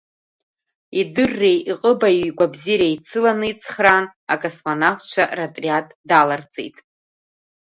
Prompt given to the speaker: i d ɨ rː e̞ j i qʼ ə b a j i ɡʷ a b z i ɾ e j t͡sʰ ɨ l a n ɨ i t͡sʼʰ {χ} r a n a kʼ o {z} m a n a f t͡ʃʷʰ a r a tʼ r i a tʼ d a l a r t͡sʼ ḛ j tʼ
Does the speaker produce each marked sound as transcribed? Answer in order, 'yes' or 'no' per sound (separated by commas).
yes, no